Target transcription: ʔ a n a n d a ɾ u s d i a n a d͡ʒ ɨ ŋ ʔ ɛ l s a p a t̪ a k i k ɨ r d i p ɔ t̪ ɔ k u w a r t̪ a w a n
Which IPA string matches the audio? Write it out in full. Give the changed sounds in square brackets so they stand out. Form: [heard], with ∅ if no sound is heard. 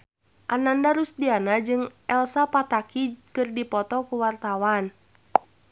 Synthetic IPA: ʔ a n a n d a ɾ u s d i a n a d͡ʒ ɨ ŋ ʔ ɛ l s a p a t̪ a k i k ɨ r d i p ɔ t̪ ɔ k u w a r t̪ a w a n